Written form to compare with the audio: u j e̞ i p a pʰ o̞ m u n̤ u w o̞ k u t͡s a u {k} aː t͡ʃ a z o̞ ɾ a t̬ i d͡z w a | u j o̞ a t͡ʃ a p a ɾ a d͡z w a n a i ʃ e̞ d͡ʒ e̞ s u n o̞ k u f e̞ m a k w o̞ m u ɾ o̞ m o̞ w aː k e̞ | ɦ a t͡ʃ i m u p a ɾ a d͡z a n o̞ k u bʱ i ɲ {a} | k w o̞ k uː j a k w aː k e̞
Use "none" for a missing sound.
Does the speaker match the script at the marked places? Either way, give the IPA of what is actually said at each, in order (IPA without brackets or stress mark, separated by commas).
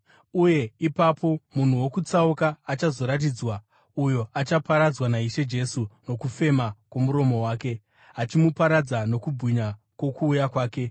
k, a